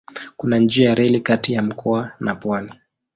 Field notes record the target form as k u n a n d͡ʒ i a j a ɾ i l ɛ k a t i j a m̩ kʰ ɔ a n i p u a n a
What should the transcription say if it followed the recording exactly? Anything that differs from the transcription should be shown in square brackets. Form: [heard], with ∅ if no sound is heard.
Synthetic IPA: k u n a n d͡ʒ i a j a ɾ [ɛ] l [i] k a t i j a m̩ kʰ ɔ a n [a] p [w] a n [i]